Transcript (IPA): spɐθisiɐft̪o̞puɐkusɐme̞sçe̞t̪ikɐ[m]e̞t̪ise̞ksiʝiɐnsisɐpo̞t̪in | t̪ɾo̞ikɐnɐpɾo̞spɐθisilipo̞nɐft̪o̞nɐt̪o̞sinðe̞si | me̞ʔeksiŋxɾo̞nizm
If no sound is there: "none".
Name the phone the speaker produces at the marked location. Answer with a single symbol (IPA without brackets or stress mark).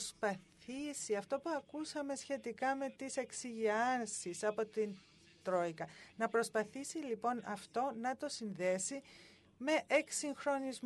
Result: m